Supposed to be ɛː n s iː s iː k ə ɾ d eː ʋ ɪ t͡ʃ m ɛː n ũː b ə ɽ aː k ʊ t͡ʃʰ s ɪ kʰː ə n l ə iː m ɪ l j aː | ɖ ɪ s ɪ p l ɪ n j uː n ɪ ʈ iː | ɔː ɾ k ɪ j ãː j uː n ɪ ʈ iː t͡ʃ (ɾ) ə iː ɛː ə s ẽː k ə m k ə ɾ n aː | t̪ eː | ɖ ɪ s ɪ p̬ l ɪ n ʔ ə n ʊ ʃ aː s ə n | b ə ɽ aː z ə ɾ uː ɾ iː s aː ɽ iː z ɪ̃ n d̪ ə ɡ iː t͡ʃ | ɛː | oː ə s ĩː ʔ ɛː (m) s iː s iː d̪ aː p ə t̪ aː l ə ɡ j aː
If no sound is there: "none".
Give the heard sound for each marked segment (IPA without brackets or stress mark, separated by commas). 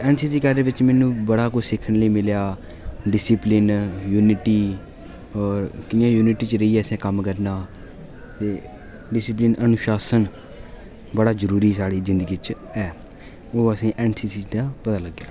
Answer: ɾ, n